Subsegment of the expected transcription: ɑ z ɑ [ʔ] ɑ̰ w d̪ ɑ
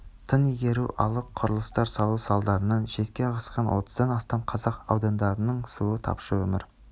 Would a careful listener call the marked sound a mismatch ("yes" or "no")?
yes